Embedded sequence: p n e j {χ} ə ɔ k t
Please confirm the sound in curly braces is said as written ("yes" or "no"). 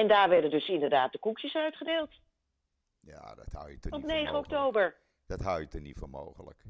yes